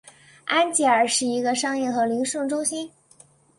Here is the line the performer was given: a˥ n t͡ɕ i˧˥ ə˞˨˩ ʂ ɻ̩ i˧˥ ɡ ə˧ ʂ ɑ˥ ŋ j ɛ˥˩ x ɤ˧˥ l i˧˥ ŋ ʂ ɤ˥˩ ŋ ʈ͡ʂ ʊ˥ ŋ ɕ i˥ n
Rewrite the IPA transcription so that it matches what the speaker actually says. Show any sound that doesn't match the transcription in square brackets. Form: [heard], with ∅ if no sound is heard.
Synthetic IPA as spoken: a˥ n t͡ɕ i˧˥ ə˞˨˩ ʂ ɻ̩ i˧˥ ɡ ə˧ ʂ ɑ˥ ŋ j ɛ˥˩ x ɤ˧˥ l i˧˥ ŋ ʂ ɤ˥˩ ŋ ʈ͡ʂ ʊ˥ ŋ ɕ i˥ n